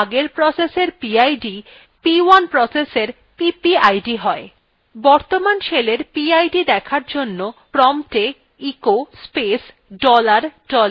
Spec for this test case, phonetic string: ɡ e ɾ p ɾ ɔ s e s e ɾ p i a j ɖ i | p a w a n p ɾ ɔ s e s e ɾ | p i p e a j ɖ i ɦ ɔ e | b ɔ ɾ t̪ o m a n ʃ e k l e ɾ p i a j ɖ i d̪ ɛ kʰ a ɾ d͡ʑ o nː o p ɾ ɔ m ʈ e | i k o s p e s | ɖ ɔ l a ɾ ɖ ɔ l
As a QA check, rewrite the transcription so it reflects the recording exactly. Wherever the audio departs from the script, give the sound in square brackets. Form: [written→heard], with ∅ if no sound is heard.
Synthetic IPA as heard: ɡ e ɾ p ɾ ɔ s e s e ɾ p i a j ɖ i | p [a→i] w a n p ɾ ɔ s e s e ɾ | p i p [e→i] a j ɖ i ɦ ɔ e | b ɔ ɾ t̪ o m a n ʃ e [k→∅] l e ɾ p i a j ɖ i d̪ ɛ kʰ a ɾ d͡ʑ o nː o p ɾ ɔ m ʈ e | i k o s p e s | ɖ ɔ l a ɾ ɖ ɔ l